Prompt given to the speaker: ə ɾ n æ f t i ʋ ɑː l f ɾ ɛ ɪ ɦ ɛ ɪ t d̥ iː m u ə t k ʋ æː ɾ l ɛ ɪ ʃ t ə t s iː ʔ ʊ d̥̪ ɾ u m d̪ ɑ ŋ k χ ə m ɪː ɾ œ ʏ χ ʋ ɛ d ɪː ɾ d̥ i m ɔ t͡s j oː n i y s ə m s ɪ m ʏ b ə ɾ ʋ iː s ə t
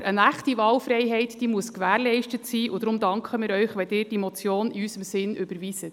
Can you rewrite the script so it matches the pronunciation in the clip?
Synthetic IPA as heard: ə n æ χ t i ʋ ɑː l f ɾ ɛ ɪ ɦ ɛ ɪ t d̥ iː m u ə s k ʋ æː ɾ l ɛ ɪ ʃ t ə t s iː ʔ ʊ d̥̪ ɾ ʊ m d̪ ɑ ŋ k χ ə m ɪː ɾ œ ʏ χ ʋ ɛ d ɪː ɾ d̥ i m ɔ t͡s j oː n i y s ə m s ɪ n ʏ b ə ɾ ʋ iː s ə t